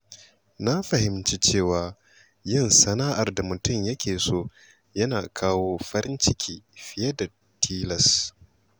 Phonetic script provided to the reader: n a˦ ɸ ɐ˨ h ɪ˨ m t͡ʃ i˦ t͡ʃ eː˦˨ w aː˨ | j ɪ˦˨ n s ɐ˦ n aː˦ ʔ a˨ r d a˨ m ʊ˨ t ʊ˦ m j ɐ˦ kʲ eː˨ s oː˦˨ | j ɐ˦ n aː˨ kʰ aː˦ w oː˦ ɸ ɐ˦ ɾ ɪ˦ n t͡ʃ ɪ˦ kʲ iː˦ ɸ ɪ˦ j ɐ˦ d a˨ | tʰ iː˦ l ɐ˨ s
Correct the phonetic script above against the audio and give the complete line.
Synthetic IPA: n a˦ ɸ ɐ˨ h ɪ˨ m t͡ʃ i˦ t͡ʃ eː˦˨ w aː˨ | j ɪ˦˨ n s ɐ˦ n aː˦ ʔ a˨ r d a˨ m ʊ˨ t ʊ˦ m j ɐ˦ kʲ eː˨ s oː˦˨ | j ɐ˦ n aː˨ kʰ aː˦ w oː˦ ɸ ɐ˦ ɾ ɪ˦ n t͡ʃ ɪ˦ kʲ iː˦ ɸ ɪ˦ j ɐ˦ d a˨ | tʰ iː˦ l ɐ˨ s